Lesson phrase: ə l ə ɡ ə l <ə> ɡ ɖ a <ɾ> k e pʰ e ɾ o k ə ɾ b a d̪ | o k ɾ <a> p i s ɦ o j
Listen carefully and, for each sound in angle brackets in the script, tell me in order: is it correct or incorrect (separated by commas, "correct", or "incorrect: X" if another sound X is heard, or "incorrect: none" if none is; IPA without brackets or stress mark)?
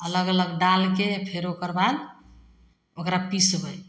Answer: correct, incorrect: l, correct